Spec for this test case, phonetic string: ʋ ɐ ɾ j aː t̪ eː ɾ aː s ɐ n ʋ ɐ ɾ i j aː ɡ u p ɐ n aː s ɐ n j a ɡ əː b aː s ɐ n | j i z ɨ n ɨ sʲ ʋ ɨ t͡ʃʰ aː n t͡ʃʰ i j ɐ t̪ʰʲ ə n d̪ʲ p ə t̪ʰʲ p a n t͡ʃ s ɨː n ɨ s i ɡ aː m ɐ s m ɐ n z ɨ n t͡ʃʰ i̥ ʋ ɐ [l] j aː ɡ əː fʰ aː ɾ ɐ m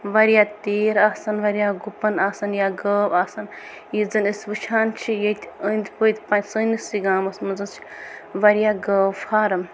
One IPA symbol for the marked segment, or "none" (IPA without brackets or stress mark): ɾ